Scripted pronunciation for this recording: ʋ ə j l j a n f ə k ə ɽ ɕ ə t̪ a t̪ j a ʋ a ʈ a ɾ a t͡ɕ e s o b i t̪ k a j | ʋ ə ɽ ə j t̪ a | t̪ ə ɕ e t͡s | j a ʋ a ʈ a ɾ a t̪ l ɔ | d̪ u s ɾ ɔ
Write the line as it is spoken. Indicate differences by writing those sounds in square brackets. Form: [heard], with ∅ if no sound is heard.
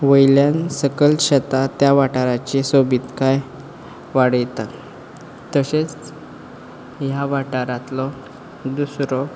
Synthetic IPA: ʋ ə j l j a n [s] ə k ə [l] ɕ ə t̪ a t̪ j a ʋ a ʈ a ɾ a t͡ɕ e s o b i t̪ k a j | ʋ [a] ɽ ə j t̪ a | t̪ ə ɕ e t͡s | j a ʋ a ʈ a ɾ a t̪ l ɔ | d̪ u s ɾ ɔ